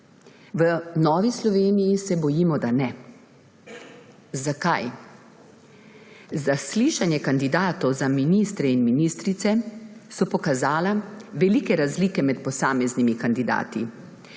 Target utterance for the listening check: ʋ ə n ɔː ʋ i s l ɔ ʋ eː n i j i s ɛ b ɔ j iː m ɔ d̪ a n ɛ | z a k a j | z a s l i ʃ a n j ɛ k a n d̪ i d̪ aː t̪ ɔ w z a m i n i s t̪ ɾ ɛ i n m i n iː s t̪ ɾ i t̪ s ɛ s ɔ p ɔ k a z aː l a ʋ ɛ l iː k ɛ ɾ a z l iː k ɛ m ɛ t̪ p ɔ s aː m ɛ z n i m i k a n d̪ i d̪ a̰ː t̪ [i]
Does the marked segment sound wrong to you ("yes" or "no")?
no